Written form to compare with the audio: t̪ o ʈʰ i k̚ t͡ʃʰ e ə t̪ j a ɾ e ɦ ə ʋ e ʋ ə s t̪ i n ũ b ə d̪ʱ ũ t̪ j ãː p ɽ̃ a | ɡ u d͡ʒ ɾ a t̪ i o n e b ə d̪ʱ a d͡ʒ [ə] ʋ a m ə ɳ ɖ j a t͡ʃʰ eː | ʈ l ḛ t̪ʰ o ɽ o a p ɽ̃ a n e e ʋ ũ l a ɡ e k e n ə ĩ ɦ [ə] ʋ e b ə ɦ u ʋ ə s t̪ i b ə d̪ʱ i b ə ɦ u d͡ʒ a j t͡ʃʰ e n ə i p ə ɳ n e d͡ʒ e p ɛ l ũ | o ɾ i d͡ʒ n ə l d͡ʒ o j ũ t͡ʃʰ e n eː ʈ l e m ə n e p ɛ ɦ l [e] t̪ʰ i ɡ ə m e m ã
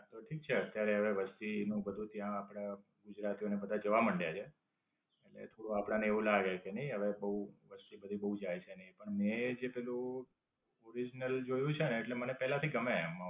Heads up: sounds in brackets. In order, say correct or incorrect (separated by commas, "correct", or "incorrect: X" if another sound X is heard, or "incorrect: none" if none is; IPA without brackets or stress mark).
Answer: correct, correct, incorrect: a